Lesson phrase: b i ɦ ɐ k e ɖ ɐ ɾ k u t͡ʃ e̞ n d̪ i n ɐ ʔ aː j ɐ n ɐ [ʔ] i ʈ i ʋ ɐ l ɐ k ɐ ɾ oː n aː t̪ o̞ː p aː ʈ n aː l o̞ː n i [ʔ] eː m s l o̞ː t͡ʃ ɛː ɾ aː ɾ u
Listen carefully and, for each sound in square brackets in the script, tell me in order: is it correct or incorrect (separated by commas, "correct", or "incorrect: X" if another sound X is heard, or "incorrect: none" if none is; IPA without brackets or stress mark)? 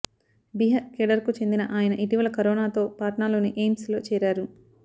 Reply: correct, correct